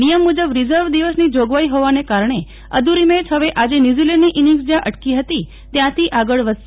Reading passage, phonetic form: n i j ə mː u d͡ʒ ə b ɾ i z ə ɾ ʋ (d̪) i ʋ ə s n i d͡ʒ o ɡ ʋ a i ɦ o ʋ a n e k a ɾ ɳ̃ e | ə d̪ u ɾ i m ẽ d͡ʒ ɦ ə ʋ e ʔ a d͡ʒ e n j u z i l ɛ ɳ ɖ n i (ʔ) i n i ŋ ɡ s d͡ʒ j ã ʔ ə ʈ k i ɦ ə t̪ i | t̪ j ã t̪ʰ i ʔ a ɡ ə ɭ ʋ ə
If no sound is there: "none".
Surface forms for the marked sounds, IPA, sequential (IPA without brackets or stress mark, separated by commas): d̪, ʔ